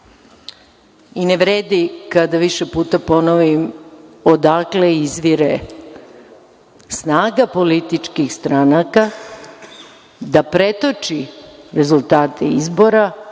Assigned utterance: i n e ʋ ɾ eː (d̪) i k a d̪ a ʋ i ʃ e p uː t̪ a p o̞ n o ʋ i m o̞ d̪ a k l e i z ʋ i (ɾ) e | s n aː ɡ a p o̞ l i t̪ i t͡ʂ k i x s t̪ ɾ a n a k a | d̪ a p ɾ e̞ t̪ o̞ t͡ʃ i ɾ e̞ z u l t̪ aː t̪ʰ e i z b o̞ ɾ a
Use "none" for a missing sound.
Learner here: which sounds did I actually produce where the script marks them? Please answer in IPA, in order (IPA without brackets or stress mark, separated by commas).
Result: d̪, ɾ